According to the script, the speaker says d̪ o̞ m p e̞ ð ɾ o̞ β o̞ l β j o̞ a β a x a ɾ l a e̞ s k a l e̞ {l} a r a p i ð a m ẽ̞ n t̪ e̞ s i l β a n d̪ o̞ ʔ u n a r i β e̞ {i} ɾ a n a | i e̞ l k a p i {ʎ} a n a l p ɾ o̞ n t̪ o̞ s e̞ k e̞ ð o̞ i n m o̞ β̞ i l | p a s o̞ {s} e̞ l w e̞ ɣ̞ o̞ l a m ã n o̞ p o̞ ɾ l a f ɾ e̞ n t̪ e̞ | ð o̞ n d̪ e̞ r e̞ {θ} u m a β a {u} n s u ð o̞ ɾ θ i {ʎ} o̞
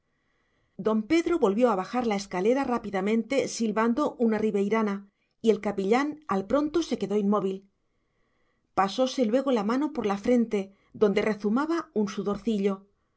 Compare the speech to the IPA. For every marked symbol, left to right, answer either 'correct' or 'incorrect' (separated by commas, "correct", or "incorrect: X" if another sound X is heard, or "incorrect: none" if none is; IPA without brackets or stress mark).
incorrect: ɾ, incorrect: j, correct, correct, correct, correct, correct